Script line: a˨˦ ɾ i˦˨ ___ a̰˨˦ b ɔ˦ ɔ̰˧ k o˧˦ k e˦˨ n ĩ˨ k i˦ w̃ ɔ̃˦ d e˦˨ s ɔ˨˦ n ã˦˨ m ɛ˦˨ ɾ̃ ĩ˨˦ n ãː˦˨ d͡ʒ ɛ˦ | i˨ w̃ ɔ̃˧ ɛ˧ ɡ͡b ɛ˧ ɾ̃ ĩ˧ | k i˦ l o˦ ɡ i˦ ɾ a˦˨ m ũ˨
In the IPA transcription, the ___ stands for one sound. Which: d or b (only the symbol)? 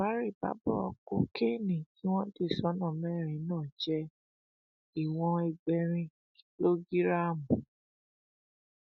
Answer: b